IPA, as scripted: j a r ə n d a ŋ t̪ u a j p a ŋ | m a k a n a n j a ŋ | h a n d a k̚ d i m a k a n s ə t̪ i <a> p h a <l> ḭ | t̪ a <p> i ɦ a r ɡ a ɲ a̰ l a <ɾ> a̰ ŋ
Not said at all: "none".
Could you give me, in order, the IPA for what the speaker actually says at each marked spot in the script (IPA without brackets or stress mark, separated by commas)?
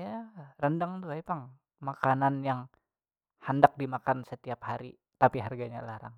a, ɾ, p, ɾ